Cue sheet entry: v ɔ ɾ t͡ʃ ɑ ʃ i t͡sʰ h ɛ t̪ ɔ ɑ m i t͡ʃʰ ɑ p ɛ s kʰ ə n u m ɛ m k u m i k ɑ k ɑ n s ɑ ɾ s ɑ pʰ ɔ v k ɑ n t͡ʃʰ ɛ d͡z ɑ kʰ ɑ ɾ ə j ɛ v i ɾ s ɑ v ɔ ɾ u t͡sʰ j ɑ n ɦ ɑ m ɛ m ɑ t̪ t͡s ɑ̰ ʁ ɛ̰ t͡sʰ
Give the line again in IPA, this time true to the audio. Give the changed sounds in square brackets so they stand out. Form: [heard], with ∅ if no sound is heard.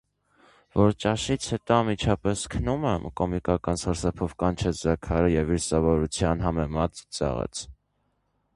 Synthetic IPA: v ɔ ɾ t͡ʃ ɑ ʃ i t͡sʰ h ɛ t̪ ɔ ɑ m i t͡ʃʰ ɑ p ɛ s kʰ ə n u m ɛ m k [ɔ] m i k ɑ k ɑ n s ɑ ɾ s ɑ pʰ ɔ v k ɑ n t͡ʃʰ ɛ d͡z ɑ kʰ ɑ ɾ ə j ɛ v i ɾ s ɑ v ɔ ɾ u t͡sʰ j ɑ n ɦ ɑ m ɛ m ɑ t̪ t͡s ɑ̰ ʁ ɛ̰ t͡sʰ